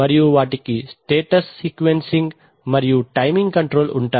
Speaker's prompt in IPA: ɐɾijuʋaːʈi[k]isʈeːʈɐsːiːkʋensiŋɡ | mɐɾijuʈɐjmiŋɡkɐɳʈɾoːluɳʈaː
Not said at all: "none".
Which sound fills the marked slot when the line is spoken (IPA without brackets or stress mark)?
k